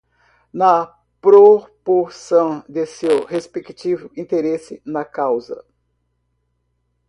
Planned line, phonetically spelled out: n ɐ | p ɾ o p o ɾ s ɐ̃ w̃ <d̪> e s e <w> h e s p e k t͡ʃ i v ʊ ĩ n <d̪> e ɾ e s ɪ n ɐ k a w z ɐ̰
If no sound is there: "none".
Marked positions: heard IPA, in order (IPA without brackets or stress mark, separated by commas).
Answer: d̪, w, t̪